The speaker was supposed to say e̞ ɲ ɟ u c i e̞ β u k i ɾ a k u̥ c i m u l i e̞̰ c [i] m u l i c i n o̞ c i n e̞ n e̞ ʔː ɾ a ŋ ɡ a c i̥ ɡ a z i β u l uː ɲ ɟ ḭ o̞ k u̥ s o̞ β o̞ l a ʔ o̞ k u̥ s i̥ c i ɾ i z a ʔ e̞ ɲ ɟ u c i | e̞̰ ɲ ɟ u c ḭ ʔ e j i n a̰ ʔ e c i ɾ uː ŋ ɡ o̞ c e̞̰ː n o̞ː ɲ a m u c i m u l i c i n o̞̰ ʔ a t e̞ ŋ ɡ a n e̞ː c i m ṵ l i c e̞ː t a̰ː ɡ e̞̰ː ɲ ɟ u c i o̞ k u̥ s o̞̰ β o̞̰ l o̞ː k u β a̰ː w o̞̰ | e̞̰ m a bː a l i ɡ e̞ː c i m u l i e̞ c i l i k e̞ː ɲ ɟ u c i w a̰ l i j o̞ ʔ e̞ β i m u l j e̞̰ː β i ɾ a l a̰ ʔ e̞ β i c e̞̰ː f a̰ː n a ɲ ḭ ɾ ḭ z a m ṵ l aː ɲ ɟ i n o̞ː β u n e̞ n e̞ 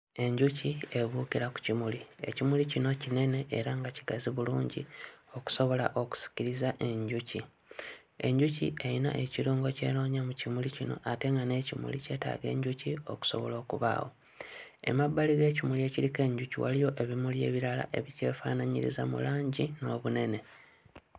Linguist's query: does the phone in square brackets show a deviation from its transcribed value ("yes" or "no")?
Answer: no